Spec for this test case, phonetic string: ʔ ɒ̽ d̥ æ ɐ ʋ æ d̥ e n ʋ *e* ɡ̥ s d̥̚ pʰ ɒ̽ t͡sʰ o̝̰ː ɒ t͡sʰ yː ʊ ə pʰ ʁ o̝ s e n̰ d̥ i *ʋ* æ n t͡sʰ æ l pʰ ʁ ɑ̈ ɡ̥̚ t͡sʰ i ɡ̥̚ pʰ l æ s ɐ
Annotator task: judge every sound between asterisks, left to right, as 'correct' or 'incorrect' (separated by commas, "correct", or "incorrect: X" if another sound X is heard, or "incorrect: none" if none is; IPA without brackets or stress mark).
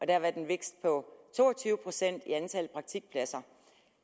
correct, incorrect: none